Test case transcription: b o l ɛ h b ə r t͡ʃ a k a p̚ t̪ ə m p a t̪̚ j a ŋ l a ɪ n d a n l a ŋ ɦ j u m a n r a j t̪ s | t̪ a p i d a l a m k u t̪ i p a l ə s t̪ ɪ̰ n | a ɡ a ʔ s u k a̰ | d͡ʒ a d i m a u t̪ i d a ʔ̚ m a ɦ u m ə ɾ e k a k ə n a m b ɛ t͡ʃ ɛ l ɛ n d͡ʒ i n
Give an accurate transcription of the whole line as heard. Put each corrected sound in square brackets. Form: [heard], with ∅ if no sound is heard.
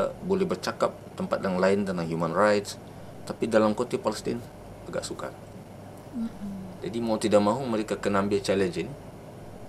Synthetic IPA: b o l ɛ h b ə r t͡ʃ a k a p̚ t̪ ə m p a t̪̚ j a ŋ l a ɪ n d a n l a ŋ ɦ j u m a n r a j t̪ s | t̪ a p i d a l a m k [o] t̪ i p a l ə s t̪ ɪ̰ n | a ɡ a ʔ s u k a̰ | d͡ʒ a d i m a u t̪ i d a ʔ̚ m a ɦ u m ə ɾ e k a k ə n a m b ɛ t͡ʃ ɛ l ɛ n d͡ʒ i n